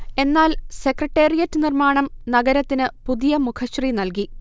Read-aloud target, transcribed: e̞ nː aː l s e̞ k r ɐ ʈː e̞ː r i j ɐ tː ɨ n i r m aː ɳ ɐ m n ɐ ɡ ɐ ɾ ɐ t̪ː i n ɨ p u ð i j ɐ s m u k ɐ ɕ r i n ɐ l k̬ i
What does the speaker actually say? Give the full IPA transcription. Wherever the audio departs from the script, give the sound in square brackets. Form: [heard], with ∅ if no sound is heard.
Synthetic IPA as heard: e̞ nː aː l s e̞ k r ɐ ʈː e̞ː r i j ɐ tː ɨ n i r m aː ɳ ɐ m n ɐ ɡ ɐ ɾ ɐ t̪ː i n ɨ p u ð i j ɐ [∅] m u [kʰ] ɐ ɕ r i n ɐ l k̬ i

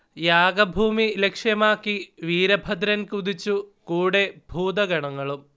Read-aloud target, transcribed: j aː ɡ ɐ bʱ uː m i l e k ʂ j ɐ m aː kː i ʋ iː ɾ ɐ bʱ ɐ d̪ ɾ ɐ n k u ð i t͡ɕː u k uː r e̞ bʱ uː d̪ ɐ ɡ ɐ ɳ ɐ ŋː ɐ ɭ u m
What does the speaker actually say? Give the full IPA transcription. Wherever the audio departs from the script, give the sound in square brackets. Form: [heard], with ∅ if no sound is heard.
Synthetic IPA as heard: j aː ɡ ɐ bʱ uː m i l e k ʂ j ɐ m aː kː i ʋ iː ɾ ɐ bʱ ɐ d̪ ɾ ɐ n k u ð i t͡ɕː u k uː [ɽ] e̞ bʱ uː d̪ ɐ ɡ ɐ ɳ ɐ ŋː ɐ ɭ u m

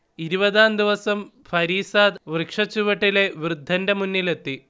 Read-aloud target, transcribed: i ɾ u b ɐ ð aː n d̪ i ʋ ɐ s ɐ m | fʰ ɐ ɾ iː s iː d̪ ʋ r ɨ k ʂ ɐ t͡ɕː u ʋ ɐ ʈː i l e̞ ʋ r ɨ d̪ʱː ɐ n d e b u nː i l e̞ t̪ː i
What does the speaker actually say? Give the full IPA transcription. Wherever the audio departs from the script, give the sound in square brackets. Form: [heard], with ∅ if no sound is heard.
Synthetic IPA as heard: i ɾ u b ɐ ð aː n d̪ i ʋ ɐ s ɐ m | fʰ ɐ ɾ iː s [aː] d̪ ʋ r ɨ k ʂ ɐ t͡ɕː u ʋ ɐ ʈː i l e̞ ʋ r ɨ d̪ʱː ɐ n d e [m] u nː i l e̞ t̪ː i

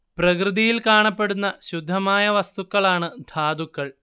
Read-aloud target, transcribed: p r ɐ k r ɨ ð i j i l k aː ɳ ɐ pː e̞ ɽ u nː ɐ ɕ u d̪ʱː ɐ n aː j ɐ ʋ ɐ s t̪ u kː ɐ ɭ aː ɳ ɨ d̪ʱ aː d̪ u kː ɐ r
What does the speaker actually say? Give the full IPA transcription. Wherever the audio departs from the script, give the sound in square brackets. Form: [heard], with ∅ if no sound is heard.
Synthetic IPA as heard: p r ɐ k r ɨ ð i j i l k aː ɳ ɐ pː e̞ ɽ u nː ɐ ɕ u d̪ʱː ɐ [m] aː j ɐ ʋ ɐ s t̪ u kː ɐ ɭ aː ɳ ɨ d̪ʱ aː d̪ u kː ɐ [ɭ]

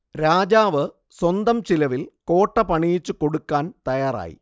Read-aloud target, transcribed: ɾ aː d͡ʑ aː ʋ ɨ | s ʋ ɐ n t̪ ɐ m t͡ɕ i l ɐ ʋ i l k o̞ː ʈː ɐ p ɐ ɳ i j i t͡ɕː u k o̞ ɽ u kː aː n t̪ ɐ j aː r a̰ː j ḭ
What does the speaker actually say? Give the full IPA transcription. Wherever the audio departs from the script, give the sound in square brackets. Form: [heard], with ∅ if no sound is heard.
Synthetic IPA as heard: ɾ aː d͡ʑ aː ʋ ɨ | s [w] ɐ n [d̪] ɐ m t͡ɕ i l ɐ ʋ i l k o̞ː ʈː ɐ p ɐ ɳ i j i t͡ɕː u k o̞ ɽ u kː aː n t̪ ɐ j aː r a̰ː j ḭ

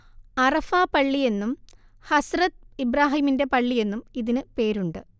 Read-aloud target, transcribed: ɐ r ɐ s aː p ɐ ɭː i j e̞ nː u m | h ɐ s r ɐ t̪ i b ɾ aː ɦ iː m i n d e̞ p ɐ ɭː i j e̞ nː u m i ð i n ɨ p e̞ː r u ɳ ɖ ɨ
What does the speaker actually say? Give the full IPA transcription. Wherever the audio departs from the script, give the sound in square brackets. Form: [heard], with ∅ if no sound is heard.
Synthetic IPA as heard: ɐ r ɐ [f] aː p ɐ ɭː i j e̞ nː u m | h ɐ s r ɐ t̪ i b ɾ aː ɦ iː m i n d e̞ p ɐ ɭː i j e̞ nː u m i ð i n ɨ p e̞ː [ɾ] u ɳ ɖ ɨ

